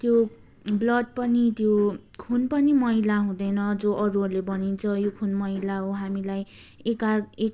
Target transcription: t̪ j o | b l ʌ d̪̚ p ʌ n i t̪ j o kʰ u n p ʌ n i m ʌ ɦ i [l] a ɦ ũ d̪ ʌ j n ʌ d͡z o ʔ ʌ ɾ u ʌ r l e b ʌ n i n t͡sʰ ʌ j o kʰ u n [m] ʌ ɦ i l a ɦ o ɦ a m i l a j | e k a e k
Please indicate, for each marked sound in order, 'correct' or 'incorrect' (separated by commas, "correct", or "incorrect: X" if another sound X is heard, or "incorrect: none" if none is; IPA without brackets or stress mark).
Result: correct, correct